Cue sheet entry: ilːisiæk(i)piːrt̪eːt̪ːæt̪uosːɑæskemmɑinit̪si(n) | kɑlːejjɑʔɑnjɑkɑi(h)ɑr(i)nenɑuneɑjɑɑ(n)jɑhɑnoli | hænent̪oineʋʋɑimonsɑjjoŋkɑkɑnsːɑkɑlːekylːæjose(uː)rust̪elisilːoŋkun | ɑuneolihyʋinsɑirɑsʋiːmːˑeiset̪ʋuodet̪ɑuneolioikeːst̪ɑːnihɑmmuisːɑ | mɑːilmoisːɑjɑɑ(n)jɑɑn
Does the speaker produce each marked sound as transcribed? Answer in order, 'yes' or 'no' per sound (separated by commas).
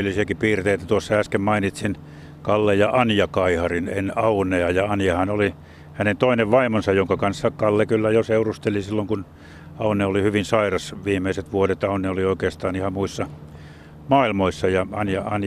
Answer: yes, yes, yes, yes, yes, no, yes